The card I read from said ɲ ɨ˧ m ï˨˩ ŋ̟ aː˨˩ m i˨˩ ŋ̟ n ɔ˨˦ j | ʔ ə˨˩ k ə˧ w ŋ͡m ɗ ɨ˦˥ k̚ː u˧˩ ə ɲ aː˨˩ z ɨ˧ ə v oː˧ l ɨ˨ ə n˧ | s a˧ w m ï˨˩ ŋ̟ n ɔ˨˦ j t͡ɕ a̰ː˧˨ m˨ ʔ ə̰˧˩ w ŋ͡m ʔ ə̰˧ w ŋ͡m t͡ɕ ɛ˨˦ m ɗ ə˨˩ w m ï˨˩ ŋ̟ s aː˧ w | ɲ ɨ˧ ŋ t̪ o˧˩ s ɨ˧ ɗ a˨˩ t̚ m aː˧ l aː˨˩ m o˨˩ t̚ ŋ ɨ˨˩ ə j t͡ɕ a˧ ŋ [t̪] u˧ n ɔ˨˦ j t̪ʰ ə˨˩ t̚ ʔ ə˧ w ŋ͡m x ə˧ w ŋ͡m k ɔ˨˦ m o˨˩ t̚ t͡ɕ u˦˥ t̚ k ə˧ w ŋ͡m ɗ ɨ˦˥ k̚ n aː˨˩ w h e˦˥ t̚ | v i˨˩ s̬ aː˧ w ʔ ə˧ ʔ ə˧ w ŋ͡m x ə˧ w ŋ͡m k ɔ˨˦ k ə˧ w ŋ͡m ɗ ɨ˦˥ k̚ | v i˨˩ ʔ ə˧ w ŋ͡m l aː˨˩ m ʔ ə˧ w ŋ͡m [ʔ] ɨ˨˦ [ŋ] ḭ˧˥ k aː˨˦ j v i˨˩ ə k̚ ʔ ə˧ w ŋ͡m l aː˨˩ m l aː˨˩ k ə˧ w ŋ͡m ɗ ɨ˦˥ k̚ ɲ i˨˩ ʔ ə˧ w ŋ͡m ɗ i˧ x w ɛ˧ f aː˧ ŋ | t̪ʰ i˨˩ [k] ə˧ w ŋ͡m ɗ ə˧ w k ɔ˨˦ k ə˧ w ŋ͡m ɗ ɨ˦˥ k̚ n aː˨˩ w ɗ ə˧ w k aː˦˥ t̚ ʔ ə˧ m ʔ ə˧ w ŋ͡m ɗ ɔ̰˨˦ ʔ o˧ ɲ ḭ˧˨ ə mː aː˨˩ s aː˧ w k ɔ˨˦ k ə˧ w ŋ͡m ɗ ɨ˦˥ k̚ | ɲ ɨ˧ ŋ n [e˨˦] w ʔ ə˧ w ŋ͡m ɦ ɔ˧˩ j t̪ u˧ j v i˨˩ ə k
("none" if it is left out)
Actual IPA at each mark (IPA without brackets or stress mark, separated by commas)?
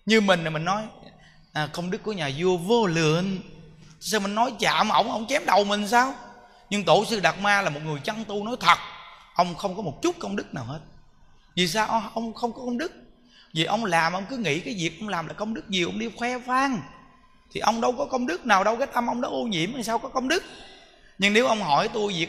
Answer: t̪, k, ŋ, ʔ, e˨˦